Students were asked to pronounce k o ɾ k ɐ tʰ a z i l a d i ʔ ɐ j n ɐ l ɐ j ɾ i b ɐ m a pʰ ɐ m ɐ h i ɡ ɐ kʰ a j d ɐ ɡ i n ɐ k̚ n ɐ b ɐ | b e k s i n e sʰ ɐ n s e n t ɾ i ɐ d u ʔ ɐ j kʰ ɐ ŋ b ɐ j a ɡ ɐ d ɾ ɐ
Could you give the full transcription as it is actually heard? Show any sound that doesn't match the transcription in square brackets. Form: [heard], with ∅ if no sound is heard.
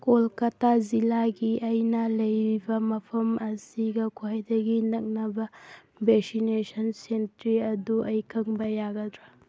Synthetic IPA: k o [l] k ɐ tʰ a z i l a [ɡ] i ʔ ɐ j n ɐ l ɐ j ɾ i b ɐ m [ɐ] pʰ ɐ m ɐ [s] i ɡ ɐ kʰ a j d ɐ ɡ i n ɐ k̚ n ɐ b ɐ | b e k s i n e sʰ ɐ n s e n t ɾ i ɐ d u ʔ ɐ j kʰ ɐ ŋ b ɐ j a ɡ ɐ d ɾ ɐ